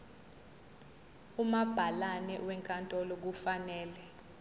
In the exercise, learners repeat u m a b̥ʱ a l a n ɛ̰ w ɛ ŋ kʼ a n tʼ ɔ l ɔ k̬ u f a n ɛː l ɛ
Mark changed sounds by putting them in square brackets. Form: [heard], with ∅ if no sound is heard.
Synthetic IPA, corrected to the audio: u m a b̥ʱ a l a n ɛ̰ w ɛ ŋ kʼ a n tʼ ɔ l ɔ k̬ u f a n ɛː l ɛ